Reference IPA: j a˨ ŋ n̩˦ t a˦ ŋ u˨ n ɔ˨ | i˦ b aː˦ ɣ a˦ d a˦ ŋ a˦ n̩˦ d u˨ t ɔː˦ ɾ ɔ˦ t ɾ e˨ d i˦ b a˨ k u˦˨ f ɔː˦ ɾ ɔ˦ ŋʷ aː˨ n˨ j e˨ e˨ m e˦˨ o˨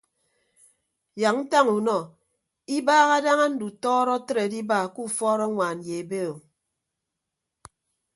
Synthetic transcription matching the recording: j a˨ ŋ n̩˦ t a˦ ŋ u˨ n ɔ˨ | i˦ b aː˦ ɣ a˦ d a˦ ŋ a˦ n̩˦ d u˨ t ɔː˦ ɾ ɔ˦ t ɾ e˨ d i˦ b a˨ k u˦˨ f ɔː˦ ɾ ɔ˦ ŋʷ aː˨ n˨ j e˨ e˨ b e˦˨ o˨

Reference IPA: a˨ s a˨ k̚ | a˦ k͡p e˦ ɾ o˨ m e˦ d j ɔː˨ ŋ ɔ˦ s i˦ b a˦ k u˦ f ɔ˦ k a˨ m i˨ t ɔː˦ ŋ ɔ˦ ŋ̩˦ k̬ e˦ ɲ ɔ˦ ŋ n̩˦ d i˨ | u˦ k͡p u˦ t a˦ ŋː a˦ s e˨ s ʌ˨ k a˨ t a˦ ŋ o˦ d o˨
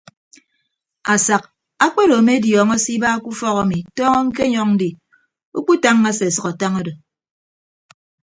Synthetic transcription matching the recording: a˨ s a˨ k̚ | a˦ k͡p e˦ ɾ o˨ m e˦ d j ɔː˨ ŋ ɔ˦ s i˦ b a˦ k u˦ f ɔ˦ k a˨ m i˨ t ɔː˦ ŋ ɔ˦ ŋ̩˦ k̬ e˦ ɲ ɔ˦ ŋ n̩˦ d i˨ | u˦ k͡p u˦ t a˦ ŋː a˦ s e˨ s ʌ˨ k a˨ t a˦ ŋ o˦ d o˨

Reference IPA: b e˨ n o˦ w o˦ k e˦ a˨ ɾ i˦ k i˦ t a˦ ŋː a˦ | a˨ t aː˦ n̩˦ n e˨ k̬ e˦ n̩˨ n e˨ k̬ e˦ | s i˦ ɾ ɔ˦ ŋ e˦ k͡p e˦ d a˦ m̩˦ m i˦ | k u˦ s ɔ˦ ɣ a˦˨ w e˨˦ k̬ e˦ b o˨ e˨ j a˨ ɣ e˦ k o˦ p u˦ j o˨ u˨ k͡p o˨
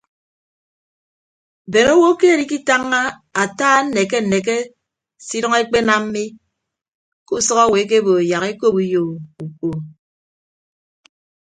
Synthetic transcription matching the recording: b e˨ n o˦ w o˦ k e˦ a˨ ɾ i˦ k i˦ t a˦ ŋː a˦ | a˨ t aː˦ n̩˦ n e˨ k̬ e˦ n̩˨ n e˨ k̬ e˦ | s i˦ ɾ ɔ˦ ŋ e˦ k͡p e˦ n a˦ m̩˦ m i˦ | k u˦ s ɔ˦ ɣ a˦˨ w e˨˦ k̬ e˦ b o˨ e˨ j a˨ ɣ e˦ k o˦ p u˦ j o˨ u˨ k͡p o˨

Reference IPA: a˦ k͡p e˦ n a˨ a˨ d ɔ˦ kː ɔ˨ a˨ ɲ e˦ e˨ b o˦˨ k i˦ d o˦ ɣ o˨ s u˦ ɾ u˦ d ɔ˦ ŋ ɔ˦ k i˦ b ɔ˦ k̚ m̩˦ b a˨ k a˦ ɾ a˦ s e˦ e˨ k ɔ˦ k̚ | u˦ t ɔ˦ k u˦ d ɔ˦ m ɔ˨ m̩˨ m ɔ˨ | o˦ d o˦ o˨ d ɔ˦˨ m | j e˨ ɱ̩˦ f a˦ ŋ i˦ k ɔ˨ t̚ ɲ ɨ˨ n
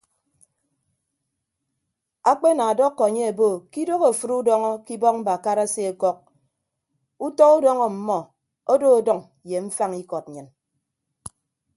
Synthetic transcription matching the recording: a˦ k͡p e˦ n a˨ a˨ d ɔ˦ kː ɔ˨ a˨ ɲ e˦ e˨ b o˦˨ k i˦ d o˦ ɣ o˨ f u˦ ɾ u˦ d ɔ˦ ŋ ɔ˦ k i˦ b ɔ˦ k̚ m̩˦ b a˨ k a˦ ɾ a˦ s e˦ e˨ k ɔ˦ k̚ | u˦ t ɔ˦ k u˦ d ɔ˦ ŋ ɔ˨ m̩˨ m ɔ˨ | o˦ d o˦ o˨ d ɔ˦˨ ŋ | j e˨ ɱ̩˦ f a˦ ŋ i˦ k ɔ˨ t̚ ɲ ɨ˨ n

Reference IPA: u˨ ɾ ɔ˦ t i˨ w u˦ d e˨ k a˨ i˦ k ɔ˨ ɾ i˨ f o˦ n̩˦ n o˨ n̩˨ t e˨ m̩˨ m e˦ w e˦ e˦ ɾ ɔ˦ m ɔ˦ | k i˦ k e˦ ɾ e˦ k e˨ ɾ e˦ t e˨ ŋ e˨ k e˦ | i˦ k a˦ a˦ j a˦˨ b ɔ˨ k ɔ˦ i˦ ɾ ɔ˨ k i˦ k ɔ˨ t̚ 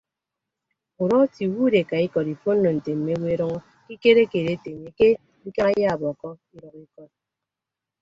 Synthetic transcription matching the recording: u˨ ɾ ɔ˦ t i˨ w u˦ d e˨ k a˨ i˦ k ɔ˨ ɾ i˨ f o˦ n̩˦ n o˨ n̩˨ t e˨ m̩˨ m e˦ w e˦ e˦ ɾ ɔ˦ ŋ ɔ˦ | k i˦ k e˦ ɾ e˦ k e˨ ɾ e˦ t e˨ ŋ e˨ k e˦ | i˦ k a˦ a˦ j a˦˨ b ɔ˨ k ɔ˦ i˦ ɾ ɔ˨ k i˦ k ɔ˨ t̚

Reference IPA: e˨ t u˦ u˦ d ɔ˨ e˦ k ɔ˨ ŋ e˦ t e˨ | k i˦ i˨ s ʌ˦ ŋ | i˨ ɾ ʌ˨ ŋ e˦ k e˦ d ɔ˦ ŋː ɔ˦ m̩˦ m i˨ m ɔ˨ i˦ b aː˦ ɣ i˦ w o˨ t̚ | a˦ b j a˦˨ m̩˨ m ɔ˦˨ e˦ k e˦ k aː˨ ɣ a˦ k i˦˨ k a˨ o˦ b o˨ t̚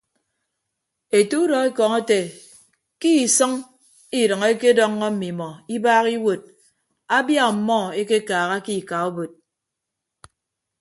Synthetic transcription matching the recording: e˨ t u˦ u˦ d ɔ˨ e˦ k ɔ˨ ŋ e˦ t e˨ | k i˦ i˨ s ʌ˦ ŋ | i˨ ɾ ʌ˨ ŋ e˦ k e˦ d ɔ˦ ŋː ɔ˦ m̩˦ m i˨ m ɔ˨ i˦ b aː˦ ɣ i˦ w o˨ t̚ | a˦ b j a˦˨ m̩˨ m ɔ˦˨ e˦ k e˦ k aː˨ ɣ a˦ k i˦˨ k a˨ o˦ b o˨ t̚

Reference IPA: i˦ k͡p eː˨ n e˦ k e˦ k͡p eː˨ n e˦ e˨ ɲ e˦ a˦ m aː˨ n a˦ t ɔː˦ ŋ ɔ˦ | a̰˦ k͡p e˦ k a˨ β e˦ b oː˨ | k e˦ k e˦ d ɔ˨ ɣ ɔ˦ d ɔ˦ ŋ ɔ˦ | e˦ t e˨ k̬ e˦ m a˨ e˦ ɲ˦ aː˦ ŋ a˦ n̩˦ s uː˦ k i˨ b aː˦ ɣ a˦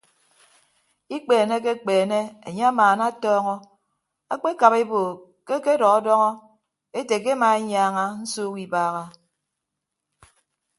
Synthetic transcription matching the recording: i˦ k͡p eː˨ n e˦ k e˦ k͡p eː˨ n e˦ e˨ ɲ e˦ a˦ m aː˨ n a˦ t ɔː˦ ŋ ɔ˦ | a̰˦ k͡p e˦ k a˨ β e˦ b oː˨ | k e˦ k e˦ d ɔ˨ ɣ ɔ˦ d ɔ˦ ŋ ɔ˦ | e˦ t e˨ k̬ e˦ m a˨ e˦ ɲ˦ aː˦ ŋ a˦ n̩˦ s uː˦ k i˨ b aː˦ ɣ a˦

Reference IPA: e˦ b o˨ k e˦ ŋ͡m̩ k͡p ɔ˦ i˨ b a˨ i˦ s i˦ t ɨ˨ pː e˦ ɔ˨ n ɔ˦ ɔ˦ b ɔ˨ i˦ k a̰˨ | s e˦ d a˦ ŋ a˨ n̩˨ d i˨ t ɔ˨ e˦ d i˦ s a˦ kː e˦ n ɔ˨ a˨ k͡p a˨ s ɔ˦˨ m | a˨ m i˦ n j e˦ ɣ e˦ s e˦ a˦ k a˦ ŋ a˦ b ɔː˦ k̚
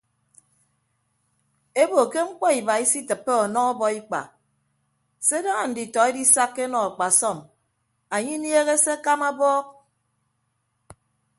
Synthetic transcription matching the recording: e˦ b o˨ k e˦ ŋ͡m̩ k͡p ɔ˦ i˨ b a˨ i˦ s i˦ t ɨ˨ pː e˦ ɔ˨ n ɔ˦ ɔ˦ b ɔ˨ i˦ k͡p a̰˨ | s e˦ d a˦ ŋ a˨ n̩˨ d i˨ t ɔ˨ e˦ d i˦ s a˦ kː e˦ n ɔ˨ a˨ k͡p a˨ s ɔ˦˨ m | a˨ ɲ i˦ n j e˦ ɣ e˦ s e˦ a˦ k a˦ m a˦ b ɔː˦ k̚

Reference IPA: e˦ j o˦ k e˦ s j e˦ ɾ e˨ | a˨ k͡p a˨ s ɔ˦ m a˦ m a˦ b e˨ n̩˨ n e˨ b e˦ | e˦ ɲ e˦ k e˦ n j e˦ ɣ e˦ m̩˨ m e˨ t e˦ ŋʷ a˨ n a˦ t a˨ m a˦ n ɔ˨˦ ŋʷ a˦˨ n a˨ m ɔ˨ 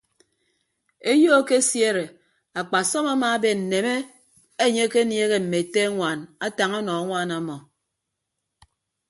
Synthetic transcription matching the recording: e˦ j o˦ k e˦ s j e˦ ɾ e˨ | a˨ k͡p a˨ s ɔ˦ m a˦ m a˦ b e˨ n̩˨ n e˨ m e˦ | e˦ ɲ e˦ k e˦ n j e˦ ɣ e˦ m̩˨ m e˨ t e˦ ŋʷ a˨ n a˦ t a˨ ŋ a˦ n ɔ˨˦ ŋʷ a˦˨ n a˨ m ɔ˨

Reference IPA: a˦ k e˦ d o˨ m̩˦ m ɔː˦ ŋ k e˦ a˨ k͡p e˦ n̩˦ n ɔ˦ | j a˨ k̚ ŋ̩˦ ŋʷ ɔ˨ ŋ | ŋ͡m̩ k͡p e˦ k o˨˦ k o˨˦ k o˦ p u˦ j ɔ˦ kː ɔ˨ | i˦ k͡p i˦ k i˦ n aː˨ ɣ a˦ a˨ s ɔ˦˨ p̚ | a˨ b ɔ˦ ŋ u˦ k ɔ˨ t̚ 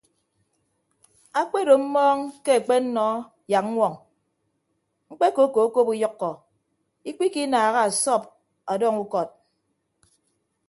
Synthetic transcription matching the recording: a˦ k͡p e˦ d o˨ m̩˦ m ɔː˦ ŋ k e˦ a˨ k͡p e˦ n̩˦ n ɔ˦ | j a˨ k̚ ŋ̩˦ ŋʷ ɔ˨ ŋ | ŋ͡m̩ k͡p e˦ k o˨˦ k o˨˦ k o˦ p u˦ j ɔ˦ kː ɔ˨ | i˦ k͡p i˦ k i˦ n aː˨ ɣ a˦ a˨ s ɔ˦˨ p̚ | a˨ d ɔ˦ ŋ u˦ k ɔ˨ t̚

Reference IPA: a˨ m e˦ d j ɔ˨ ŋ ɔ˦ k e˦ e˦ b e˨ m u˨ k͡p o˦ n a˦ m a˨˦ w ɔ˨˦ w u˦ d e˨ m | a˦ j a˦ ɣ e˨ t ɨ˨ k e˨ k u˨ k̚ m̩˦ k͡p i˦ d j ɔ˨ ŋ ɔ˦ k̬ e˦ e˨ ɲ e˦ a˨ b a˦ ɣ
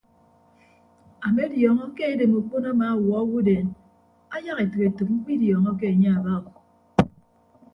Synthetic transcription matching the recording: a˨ m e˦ d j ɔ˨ ŋ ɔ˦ k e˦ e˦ d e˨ m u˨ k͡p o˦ n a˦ m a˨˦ w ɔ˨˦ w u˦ d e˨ n | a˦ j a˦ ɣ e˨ t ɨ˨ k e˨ t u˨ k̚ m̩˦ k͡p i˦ d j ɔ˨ ŋ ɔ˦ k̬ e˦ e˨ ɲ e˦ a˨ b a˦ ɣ

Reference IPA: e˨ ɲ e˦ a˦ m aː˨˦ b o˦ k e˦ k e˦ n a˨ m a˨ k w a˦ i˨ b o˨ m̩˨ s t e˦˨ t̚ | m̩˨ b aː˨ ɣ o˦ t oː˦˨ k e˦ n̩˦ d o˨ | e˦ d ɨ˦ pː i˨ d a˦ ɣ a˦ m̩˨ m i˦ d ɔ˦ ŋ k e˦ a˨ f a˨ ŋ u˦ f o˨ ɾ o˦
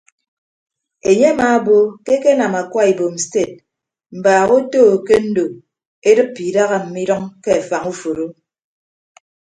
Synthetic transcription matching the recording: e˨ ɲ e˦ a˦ m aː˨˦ b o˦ k e˦ k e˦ n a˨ m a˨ k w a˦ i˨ b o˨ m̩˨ s t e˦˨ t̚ | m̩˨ b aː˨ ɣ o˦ t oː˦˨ k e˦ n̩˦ d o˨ | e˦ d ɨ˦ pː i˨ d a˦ ɣ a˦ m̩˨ m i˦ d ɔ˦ ŋ k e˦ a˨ f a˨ ŋ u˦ f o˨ ɾ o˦

